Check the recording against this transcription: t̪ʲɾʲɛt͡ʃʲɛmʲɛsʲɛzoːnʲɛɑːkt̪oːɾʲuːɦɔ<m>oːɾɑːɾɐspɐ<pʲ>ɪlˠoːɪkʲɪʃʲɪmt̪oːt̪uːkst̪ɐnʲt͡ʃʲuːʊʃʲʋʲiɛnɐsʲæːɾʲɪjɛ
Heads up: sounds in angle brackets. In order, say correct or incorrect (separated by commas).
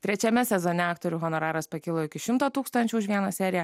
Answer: incorrect, incorrect